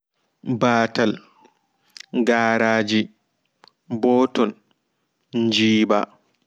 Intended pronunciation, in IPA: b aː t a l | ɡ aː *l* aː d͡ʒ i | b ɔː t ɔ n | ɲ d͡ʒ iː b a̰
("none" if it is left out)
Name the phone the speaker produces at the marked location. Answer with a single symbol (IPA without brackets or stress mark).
ɾ